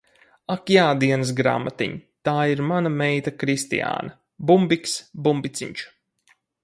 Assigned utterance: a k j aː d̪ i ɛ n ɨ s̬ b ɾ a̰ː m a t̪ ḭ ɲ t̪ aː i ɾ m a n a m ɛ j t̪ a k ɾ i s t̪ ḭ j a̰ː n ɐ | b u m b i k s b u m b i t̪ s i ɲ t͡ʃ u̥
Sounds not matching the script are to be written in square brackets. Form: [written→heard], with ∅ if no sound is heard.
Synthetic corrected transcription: a k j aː d̪ i ɛ n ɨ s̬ [b→ɡ] ɾ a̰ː m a t̪ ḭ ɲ t̪ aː i ɾ m a n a m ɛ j t̪ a k ɾ i s t̪ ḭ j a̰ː n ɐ | b u m b i k s b u m b i t̪ s i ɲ t͡ʃ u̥